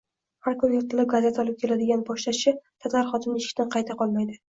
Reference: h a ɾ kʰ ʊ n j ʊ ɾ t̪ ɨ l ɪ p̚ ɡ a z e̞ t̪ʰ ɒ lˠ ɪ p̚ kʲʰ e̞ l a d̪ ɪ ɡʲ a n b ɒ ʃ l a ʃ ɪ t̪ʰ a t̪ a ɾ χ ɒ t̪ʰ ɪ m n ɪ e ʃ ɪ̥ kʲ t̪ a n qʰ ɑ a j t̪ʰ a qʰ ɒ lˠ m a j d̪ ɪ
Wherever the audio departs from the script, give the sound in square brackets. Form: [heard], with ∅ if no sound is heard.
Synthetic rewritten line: h a ɾ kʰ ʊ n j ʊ ɾ t̪ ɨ l ɪ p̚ ɡ a z e̞ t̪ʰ ɒ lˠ ɪ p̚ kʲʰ e̞ l a d̪ ɪ ɡʲ a n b ɒ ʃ l a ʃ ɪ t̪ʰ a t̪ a ɾ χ ɒ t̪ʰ ɪ m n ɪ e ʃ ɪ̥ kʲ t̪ a n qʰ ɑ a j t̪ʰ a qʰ ɒ lˠ m a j d̪ ɪ